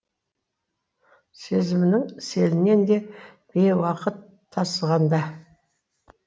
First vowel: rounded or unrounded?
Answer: unrounded